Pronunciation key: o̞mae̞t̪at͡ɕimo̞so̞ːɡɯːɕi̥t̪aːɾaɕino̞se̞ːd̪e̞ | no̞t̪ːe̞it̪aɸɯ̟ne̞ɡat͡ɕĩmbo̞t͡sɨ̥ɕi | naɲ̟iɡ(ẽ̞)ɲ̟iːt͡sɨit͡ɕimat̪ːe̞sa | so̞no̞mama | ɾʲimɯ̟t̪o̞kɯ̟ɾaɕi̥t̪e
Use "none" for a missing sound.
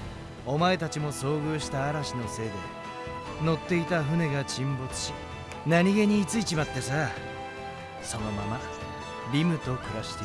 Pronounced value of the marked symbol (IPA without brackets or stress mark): e̞